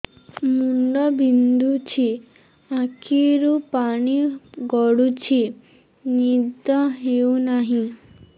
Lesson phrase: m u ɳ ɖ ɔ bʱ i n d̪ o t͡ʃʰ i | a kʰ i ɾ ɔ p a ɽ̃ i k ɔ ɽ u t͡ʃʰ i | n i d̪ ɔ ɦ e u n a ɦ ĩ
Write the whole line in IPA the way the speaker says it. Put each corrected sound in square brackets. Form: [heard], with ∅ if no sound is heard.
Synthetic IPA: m u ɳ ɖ ɔ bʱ i n d̪ [u] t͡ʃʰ i | a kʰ i ɾ [u] p a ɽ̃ i [ɡ] ɔ ɽ u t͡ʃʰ i | n i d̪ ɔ ɦ e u n a ɦ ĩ